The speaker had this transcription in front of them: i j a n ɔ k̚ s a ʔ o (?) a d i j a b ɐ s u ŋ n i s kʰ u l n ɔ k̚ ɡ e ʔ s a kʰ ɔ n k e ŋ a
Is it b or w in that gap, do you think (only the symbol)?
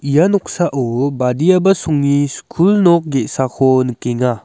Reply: b